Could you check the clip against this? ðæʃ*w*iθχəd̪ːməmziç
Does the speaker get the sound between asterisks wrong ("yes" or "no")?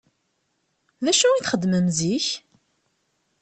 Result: yes